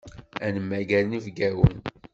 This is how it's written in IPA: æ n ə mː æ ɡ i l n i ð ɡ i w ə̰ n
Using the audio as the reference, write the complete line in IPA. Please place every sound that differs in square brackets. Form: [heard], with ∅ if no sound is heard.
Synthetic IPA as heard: æ n ə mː æ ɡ [æ] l n i [v] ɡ [æ] w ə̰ n

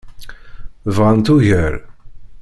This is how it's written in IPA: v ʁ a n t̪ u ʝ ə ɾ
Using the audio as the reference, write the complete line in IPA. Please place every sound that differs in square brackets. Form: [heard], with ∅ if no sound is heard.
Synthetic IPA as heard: v ʁ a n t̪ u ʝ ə ɾ

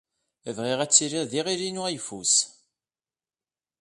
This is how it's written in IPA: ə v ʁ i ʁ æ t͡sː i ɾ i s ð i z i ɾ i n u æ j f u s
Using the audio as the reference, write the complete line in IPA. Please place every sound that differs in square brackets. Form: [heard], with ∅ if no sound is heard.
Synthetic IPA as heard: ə v ʁ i ʁ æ t͡sː i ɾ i [∅] ð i [ʁ] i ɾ i n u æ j f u s

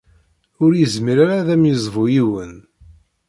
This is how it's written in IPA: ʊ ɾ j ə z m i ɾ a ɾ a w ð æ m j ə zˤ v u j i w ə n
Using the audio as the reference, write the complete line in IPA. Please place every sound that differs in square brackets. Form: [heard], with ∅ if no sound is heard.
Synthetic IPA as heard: ʊ ɾ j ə z m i ɾ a ɾ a [∅] ð æ m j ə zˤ v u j i w ə n

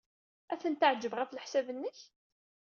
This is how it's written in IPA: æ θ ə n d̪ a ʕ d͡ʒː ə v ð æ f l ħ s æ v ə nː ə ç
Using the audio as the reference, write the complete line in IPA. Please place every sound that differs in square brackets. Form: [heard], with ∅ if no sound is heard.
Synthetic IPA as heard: æ θ ə n [t̪] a ʕ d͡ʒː ə v [ʁ] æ f l ħ s æ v ə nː ə ç

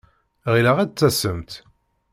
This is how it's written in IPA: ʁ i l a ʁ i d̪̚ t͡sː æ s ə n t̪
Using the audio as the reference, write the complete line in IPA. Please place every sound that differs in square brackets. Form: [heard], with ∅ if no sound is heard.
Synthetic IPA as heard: ʁ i l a ʁ [æ] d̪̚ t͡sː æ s ə [m] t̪

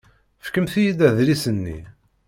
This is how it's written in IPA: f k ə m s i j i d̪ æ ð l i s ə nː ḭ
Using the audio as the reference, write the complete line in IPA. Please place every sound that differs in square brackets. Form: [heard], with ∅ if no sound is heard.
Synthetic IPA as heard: f k ə m [θ] i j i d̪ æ ð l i s ə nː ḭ

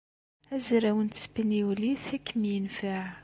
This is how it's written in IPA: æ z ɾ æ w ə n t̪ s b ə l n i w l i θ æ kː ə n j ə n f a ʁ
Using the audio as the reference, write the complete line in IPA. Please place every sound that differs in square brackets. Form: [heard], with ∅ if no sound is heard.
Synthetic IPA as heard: æ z ɾ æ w ə n t̪ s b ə [∅] n i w l i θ æ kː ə [m] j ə n f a [ʕ]

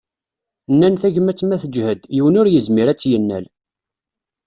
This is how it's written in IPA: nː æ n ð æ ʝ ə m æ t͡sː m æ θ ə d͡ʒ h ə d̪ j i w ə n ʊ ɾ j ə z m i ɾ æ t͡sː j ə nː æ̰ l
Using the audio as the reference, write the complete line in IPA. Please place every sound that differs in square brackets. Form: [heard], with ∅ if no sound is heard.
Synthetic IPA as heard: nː æ n [θ] æ ʝ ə m æ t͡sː m æ θ ə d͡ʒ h ə d̪ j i w ə n ʊ ɾ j ə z m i ɾ æ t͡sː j ə nː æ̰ l

